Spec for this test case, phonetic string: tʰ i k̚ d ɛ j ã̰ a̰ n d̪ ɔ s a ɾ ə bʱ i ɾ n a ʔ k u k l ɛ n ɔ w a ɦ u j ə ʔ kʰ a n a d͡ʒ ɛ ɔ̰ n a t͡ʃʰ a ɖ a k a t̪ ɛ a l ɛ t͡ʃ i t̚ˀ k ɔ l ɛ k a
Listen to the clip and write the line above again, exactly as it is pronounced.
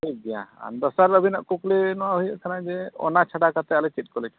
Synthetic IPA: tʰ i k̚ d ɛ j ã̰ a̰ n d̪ ɔ s a ɾ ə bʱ i n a ʔ k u k l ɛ n ɔ w a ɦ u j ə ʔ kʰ a n a d͡ʒ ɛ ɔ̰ n a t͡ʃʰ a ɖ a k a t̪ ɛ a l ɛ t͡ʃ i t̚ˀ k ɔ l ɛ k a

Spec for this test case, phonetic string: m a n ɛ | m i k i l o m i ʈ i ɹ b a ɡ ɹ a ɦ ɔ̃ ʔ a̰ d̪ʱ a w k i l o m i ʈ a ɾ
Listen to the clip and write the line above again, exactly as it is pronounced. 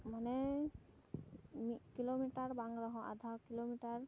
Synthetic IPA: m a n ɛ | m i k i l o m i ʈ a ɹ b a ŋ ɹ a ɦ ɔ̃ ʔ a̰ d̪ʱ a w k i l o m i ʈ a ɹ

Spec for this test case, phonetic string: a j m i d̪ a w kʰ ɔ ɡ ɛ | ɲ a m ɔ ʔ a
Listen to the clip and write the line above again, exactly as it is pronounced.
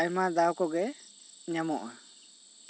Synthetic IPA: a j m a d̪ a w k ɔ ɡ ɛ | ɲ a m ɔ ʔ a

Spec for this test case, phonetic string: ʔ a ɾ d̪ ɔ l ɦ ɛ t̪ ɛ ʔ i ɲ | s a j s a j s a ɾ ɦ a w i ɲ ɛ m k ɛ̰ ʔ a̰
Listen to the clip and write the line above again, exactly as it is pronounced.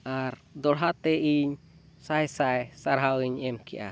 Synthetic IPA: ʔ a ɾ d̪ ɔ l ɦ a t̪ ɛ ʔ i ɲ | s a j s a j s a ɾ ɦ a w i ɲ ɛ m k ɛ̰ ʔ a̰

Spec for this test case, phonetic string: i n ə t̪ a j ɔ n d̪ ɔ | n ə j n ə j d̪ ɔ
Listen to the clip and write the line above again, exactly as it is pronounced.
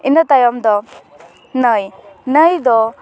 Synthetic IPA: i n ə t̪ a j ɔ m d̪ ɔ | n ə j n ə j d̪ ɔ

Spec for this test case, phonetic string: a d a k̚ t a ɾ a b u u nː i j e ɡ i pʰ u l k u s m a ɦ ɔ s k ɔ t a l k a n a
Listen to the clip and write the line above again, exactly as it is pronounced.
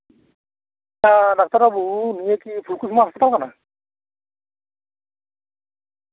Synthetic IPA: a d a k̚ t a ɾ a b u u n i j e k i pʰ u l k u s m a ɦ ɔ s p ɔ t a l k a n a

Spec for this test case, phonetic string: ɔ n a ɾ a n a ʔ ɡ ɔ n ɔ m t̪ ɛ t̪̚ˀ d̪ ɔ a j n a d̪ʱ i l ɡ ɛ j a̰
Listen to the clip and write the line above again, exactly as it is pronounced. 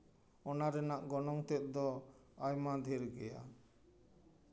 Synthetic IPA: ɔ n a ɾ ɛ n a ʔ ɡ ɔ n ɔ ŋ t̪ ɛ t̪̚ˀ d̪ ɔ a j m a d̪ʱ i ɾ ɡ ɛ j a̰

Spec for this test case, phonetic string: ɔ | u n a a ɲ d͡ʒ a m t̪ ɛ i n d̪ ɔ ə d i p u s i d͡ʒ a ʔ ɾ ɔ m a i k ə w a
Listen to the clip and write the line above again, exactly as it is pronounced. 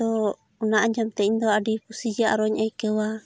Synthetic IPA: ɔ | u n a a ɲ d͡ʒ a m t̪ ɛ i n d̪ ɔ a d i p u s i d͡ʒ a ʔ ɾ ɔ ɲ a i k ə w a

